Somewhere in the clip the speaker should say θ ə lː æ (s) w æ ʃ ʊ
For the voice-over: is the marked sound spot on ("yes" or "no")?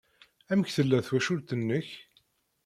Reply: no